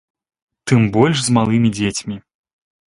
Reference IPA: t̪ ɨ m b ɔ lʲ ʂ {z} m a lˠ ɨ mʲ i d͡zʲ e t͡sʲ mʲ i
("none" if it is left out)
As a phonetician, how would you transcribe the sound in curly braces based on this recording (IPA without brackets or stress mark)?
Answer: z